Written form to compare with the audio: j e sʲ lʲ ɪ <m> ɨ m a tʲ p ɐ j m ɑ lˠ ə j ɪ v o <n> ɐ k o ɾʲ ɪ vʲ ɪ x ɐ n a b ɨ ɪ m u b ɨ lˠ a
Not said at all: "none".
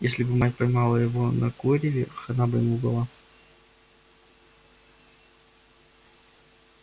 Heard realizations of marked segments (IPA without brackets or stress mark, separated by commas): b, n